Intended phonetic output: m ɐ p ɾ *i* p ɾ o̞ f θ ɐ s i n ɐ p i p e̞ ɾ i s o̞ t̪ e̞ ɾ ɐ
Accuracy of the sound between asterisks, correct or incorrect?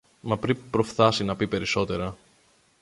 correct